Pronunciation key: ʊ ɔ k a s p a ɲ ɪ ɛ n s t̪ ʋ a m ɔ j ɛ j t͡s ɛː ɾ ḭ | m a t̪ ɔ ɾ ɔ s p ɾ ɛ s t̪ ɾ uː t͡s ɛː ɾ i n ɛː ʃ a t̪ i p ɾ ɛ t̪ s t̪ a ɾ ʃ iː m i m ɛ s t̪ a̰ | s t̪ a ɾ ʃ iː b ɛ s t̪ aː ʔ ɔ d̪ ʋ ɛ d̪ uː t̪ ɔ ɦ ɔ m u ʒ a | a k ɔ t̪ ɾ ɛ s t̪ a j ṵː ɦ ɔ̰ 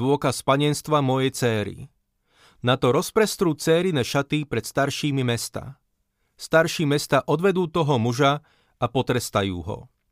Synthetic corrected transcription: ʊ ɔ k a s p a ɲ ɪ ɛ n s t̪ ʋ a m ɔ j ɛ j t͡s ɛː ɾ ḭ | n a t̪ ɔ ɾ ɔ s p ɾ ɛ s t̪ ɾ uː t͡s ɛː ɾ i n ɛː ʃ a t̪ i p ɾ ɛ t̪ s t̪ a ɾ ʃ iː m i m ɛ s t̪ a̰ | s t̪ a ɾ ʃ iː m ɛ s t̪ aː ʔ ɔ d̪ ʋ ɛ d̪ uː t̪ ɔ ɦ ɔ m u ʒ a | a p ɔ t̪ ɾ ɛ s t̪ a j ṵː ɦ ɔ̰